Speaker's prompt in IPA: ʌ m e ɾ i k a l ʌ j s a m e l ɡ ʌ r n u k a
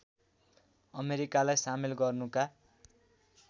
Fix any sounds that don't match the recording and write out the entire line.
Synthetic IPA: ʌ m e ɾ i k a l a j s a m i l ɡ ʌ r n u k a